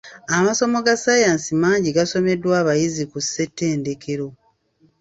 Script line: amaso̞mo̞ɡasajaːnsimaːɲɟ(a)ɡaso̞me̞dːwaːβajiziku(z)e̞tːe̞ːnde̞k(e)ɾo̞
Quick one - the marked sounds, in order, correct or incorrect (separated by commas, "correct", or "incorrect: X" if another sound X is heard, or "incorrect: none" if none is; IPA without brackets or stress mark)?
incorrect: i, incorrect: s, correct